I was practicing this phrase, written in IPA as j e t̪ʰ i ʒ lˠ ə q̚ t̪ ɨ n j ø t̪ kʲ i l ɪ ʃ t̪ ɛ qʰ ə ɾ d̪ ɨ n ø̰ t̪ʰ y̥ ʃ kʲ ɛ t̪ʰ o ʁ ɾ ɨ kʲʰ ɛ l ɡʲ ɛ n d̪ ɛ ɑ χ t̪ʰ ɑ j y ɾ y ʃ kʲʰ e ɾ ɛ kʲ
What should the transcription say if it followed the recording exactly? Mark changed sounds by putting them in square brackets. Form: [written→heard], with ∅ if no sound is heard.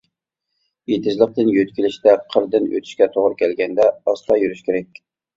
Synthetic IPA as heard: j e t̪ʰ [i→ɪ] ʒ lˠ ə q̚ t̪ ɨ n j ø t̪ kʲ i l ɪ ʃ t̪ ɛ qʰ ə ɾ d̪ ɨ n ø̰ t̪ʰ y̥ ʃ kʲ ɛ t̪ʰ o ʁ ɾ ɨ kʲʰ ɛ l ɡʲ ɛ n d̪ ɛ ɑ [χ→s] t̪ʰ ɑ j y ɾ y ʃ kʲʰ e ɾ ɛ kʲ